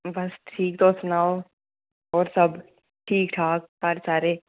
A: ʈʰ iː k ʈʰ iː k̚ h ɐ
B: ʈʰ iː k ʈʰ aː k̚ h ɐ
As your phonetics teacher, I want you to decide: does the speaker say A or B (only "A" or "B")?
B